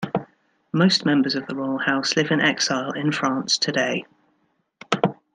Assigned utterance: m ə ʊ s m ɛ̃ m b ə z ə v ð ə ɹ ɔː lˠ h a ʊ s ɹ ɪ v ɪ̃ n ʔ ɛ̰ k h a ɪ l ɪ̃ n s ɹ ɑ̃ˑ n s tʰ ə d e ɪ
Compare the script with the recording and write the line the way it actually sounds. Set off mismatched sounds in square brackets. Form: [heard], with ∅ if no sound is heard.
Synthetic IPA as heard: m ə ʊ s m ɛ̃ m b ə z ə v ð ə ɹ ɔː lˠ h a ʊ s [l] ɪ v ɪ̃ n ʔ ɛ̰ k [s] a ɪ l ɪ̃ n [f] ɹ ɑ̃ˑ n s tʰ ə d e ɪ